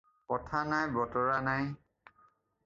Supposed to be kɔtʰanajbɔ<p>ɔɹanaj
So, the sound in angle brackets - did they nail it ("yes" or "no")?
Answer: no